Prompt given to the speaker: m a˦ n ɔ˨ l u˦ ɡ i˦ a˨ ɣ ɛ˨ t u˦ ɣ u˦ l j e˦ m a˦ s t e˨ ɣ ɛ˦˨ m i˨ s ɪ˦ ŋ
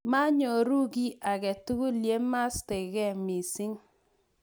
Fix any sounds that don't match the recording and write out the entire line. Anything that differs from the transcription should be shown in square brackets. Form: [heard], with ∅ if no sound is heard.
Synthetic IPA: m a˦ [ɲ] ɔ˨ [ɾ] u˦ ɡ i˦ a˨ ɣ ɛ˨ t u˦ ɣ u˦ l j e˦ m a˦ s t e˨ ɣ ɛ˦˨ m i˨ s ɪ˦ ŋ